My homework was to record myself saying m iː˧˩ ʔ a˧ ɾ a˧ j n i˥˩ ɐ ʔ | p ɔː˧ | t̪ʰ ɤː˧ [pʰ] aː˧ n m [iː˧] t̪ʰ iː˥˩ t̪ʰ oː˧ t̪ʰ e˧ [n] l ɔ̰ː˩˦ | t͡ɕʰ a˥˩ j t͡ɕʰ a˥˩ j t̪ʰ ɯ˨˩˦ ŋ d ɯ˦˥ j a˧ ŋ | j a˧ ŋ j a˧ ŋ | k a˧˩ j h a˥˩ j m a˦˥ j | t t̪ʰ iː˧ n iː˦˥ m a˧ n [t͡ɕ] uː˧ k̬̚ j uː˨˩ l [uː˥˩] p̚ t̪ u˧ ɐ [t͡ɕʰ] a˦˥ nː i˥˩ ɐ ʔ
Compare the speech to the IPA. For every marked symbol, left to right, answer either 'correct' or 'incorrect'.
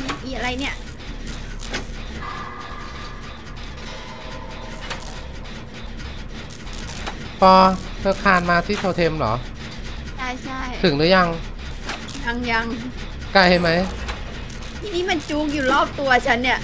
incorrect, incorrect, incorrect, correct, incorrect, correct

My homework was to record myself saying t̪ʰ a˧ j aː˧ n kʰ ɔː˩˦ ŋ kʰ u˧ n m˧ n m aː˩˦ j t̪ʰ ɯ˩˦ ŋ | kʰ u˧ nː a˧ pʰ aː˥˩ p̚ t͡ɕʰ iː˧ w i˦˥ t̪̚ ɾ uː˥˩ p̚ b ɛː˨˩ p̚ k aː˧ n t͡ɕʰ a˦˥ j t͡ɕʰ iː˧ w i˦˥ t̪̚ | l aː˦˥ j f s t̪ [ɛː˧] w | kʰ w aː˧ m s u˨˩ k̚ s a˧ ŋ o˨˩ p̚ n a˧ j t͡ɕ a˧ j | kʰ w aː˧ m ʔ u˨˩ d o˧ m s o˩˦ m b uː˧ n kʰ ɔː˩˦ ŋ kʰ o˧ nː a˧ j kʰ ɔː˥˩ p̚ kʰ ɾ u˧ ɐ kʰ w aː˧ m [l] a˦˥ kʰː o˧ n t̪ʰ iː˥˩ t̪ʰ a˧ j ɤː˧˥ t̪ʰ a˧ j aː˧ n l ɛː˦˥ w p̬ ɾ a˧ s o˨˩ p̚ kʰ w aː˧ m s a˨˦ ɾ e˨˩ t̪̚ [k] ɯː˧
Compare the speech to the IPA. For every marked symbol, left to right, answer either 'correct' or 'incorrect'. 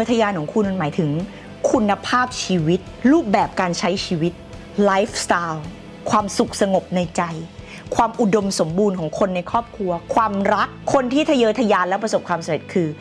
incorrect, incorrect, incorrect

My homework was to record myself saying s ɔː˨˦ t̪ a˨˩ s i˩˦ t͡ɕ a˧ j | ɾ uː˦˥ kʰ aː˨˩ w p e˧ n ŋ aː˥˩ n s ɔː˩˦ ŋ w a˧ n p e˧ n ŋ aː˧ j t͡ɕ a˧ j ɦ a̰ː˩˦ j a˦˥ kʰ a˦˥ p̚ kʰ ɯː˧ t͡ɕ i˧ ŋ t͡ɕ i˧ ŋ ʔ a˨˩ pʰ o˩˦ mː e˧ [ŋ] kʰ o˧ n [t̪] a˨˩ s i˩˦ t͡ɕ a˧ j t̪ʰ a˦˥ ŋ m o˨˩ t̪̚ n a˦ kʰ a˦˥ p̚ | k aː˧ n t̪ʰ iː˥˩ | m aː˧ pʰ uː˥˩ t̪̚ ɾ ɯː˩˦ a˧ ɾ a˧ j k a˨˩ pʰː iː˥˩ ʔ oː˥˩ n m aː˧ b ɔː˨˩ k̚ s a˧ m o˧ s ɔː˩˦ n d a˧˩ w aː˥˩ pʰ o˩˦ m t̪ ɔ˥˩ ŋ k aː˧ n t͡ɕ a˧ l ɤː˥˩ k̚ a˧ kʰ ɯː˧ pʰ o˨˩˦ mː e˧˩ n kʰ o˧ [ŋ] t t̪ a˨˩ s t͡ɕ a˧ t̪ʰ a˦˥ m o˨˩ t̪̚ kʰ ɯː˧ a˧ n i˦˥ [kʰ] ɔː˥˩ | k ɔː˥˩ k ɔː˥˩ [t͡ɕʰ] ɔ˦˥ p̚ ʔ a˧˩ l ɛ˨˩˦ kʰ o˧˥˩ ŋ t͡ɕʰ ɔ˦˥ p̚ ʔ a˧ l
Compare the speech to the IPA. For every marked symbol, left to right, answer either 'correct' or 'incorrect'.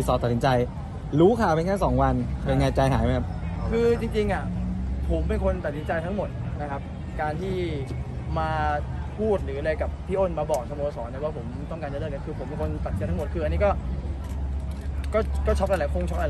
incorrect, correct, incorrect, incorrect, correct

